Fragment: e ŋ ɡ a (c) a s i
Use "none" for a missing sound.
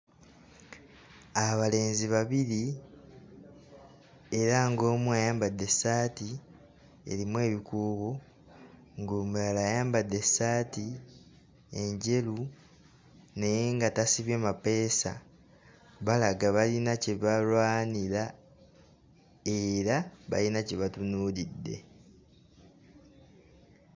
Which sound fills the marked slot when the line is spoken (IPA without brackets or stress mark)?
t